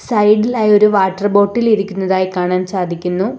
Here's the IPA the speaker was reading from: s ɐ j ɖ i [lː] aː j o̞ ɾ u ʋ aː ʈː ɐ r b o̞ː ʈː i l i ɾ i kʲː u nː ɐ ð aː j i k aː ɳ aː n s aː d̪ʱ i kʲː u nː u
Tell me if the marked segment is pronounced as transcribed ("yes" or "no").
no